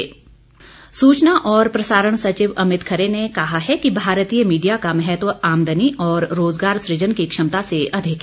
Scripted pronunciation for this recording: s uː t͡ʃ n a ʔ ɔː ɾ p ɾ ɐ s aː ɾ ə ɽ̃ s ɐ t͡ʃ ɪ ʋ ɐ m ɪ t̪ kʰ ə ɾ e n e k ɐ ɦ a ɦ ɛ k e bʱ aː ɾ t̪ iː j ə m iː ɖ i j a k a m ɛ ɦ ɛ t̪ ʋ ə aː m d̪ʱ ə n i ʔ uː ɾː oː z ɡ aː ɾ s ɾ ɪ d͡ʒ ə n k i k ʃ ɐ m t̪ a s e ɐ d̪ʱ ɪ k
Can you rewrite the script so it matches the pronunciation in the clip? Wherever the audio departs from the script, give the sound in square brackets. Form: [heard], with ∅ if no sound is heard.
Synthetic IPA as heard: s uː t͡ʃ n a ʔ ɔː ɾ p ɾ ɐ s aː ɾ ə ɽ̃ s ɐ t͡ʃ ɪ ʋ ɐ m ɪ t̪ kʰ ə ɾ e n e k ɐ ɦ a ɦ ɛ k [i] bʱ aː ɾ t̪ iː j ə m iː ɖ i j a k a m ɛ ɦ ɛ t̪ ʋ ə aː m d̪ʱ ə n i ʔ [ɔː] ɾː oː z ɡ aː ɾ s ɾ ɪ d͡ʒ ə n k i k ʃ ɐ m t̪ a s e ɐ d̪ʱ ɪ k

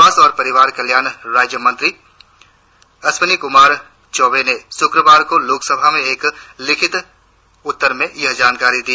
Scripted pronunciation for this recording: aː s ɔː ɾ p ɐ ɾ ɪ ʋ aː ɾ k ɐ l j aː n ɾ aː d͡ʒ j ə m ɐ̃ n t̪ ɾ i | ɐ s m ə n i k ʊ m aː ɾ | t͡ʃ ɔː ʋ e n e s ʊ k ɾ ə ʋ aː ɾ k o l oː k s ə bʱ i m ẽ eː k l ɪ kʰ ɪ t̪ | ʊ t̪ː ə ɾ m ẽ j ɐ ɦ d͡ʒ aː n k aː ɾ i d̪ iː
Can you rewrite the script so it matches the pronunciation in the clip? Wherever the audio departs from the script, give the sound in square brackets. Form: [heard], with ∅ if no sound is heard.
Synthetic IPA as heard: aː s ɔː ɾ p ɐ ɾ ɪ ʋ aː ɾ k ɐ l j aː n ɾ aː d͡ʒ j ə m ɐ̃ n t̪ ɾ i | ɐ s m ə n i k ʊ m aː ɾ | t͡ʃ ɔː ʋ e n e s ʊ k ɾ ə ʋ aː ɾ k o l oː k s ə bʱ [a] m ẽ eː k l ɪ kʰ ɪ t̪ | ʊ t̪ː ə ɾ m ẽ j ɐ ɦ d͡ʒ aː n k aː ɾ i d̪ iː

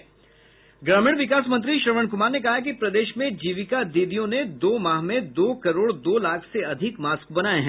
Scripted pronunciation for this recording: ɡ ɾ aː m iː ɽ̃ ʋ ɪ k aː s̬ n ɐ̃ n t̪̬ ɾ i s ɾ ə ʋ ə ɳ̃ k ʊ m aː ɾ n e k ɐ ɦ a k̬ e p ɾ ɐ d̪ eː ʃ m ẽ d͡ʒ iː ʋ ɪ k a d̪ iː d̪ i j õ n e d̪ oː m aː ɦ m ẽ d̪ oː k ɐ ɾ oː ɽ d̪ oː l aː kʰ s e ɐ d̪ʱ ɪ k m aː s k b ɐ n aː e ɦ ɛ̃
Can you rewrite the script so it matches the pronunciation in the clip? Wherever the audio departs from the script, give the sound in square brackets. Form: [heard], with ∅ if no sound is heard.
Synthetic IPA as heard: ɡ ɾ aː m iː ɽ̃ ʋ ɪ k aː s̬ [m] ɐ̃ n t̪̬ ɾ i [ʃ] ɾ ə ʋ ə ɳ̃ k ʊ m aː ɾ n e k ɐ ɦ a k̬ [i] p ɾ ɐ d̪ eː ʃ m ẽ d͡ʒ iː ʋ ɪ k a d̪ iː d̪ i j õ n e d̪ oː m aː ɦ m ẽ d̪ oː k ɐ ɾ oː ɽ d̪ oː l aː kʰ s e ɐ d̪ʱ ɪ k m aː s k b ɐ n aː e ɦ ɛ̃

